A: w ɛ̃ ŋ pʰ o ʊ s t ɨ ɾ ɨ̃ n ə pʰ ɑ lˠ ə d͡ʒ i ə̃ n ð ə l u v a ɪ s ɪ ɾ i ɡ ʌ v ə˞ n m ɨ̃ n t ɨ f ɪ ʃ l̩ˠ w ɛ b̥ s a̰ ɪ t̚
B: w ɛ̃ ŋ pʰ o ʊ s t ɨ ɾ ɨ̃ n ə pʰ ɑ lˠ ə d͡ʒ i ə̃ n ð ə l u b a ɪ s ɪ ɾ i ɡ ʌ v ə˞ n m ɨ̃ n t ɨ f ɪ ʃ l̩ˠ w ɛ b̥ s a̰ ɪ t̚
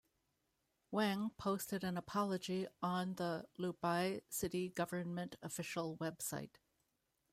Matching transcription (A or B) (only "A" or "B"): B